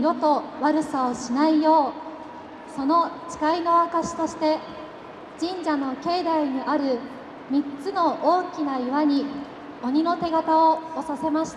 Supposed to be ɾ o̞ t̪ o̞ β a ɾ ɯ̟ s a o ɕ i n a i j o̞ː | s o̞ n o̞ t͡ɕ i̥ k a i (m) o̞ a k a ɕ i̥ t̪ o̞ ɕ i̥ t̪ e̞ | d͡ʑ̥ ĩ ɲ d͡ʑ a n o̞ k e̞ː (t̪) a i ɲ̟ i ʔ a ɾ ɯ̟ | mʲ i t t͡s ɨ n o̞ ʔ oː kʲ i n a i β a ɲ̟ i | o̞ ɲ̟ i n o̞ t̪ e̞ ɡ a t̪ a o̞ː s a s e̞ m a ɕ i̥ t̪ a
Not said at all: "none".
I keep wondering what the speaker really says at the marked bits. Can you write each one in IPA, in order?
n, d̪

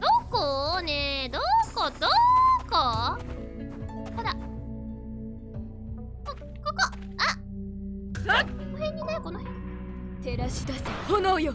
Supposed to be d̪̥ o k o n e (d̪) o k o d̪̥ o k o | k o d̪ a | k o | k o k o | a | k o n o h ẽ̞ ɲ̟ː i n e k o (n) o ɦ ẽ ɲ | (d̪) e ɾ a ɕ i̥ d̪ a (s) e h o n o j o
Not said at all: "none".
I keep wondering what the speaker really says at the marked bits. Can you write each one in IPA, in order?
d̪, n, t̪, s

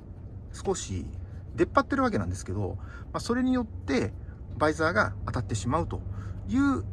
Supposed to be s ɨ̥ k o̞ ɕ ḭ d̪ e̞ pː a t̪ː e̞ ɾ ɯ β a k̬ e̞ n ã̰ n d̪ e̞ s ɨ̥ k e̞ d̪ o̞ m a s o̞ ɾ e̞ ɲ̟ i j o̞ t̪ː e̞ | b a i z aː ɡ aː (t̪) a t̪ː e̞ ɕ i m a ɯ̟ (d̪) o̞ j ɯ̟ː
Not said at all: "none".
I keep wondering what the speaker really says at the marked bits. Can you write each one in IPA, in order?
t̪, t̪

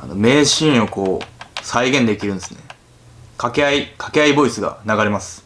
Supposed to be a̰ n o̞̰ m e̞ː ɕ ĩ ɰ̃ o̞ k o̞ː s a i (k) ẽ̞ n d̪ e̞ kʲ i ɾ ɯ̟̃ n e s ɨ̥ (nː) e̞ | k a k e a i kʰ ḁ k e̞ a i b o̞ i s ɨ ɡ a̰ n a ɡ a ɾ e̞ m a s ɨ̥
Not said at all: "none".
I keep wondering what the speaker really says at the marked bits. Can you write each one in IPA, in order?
ɡ, n

